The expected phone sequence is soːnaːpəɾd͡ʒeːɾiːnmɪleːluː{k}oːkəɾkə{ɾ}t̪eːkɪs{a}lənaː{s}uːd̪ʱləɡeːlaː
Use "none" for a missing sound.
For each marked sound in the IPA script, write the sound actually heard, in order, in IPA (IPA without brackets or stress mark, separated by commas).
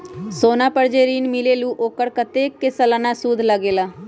ʔ, none, ə, s